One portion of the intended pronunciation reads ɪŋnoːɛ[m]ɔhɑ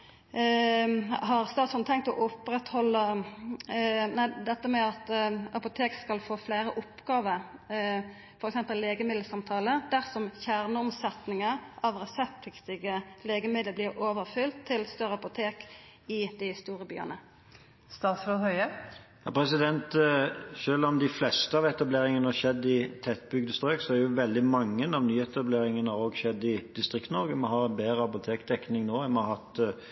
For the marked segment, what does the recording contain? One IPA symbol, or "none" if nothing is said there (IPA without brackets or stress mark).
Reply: m